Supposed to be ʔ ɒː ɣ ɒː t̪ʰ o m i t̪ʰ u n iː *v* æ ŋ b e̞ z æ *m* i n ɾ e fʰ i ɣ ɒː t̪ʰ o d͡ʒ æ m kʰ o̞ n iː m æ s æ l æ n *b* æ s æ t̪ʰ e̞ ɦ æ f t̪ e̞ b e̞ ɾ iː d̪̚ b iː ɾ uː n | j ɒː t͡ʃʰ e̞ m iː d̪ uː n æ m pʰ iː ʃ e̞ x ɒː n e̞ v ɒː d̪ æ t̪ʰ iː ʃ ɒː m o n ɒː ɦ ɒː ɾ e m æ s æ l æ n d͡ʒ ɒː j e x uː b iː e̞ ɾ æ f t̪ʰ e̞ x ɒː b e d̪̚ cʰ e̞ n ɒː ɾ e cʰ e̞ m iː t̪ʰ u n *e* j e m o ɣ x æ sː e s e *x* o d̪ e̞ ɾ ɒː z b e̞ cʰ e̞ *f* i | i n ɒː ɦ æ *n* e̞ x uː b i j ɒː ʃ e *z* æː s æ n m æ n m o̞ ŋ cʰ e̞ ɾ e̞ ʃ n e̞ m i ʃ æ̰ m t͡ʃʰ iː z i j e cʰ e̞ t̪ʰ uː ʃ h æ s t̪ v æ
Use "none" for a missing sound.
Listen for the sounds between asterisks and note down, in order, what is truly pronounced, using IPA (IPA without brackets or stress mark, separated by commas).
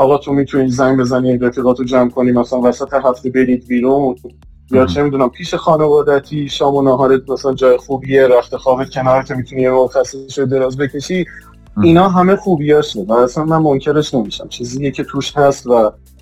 z, n, v, i, ʃ, ʃ, m, v